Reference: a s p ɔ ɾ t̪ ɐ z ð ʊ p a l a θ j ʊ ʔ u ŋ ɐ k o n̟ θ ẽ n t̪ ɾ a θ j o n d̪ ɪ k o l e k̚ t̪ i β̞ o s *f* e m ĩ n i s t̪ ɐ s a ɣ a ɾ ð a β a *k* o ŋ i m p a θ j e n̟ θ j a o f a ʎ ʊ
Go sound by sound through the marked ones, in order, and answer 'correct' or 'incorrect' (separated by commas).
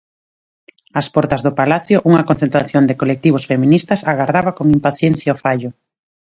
correct, correct